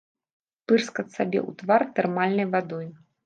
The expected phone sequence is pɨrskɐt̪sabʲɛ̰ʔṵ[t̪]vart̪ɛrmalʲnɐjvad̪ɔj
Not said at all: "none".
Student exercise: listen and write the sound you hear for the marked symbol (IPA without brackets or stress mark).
t̪